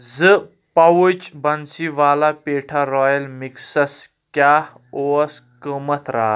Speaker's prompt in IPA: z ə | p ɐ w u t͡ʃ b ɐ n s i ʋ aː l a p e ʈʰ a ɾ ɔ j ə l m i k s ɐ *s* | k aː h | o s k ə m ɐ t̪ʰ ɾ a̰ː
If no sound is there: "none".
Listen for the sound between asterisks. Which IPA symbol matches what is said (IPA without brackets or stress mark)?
s